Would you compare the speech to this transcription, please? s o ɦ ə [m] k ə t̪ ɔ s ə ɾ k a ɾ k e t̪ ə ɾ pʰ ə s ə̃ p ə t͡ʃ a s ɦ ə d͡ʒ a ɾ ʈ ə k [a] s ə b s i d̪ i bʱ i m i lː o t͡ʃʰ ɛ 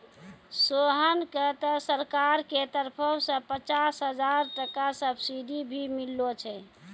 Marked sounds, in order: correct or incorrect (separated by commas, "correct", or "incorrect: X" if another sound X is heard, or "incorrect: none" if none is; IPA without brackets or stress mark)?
incorrect: n, correct